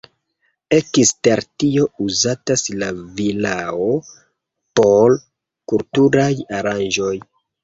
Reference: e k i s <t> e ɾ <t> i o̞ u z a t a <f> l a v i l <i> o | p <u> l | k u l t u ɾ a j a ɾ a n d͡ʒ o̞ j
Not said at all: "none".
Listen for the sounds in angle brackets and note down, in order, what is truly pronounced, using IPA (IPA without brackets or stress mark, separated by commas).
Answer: t, t, s, a, o